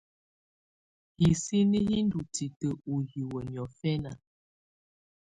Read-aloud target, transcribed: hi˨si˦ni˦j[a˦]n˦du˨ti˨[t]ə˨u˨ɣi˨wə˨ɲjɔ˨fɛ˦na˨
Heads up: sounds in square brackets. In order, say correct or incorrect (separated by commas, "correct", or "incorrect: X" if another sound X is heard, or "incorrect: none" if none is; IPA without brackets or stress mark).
incorrect: i˦, correct